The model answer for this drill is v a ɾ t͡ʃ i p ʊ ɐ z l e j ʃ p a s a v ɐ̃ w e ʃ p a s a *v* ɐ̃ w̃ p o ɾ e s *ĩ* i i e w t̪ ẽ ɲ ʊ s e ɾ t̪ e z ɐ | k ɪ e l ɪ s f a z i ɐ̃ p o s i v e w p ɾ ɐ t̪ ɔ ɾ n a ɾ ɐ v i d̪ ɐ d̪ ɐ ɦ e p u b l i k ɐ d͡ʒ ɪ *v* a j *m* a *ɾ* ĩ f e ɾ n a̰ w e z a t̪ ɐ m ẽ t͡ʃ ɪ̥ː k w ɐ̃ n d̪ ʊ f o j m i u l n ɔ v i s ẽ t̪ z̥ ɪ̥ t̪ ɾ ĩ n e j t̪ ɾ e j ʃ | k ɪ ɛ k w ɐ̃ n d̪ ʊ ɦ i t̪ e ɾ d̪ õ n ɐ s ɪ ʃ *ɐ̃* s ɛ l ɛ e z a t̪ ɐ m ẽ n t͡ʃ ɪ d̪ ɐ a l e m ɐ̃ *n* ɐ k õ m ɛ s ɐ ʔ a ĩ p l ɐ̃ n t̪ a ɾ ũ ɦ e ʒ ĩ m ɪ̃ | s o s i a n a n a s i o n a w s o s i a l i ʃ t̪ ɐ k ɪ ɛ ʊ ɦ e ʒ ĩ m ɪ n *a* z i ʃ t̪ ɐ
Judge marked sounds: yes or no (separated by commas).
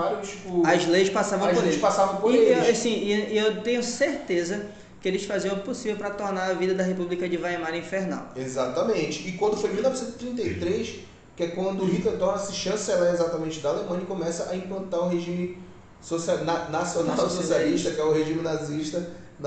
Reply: yes, yes, yes, yes, yes, yes, no, yes